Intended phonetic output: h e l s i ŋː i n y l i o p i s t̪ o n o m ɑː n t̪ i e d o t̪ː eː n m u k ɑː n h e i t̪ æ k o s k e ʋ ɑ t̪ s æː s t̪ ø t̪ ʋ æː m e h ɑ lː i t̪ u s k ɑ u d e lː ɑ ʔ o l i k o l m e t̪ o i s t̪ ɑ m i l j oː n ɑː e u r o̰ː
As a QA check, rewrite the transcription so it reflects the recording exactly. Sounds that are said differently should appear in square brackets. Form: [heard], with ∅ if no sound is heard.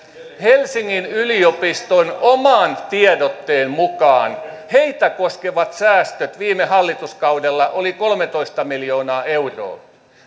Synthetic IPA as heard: h e l s i ŋː i n y l i o p i s t̪ o n o m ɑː n t̪ i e d o t̪ː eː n m u k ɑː n h e i t̪ æ k o s k e ʋ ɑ t̪ s æː s t̪ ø t̪ ʋ [iː] m e h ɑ lː i t̪ u s k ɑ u d e lː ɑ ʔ o l i k o l m e t̪ o i s t̪ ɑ m i l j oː n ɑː e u r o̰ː